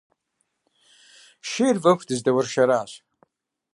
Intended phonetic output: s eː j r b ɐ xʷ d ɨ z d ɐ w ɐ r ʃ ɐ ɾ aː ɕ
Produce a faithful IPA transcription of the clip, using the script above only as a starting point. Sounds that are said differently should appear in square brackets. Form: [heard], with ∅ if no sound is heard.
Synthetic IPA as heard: [ʃ] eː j r [v] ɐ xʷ d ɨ z d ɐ w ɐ r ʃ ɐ ɾ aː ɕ